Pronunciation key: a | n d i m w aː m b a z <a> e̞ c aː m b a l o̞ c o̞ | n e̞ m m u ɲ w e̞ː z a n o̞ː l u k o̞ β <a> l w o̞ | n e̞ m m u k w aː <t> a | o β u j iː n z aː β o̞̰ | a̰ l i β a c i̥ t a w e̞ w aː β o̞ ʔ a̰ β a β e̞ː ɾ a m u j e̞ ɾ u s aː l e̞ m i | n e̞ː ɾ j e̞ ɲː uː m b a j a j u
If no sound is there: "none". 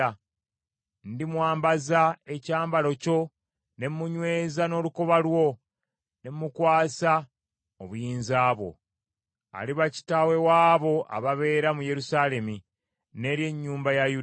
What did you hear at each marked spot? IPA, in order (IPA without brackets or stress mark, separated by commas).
a, a, s